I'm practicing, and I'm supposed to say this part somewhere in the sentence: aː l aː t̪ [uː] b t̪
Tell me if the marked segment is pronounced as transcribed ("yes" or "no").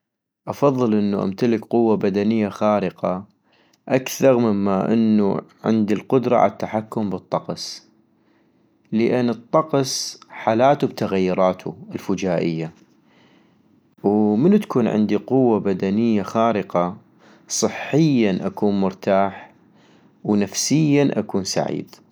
no